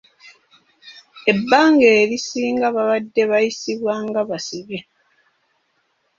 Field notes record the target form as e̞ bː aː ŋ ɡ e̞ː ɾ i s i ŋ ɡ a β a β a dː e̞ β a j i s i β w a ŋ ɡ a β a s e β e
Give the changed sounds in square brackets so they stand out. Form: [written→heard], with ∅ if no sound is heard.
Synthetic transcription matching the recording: e̞ bː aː ŋ ɡ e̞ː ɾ i s [i→iː] ŋ ɡ a β a β a dː e̞ β a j i s i β w a ŋ ɡ a β a s [e→i] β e